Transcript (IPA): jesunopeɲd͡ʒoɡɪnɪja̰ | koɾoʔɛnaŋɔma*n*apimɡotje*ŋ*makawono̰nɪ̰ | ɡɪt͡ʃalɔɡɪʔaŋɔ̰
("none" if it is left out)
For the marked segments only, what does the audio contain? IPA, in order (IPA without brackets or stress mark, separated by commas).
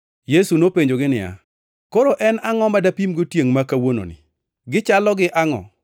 d, ŋ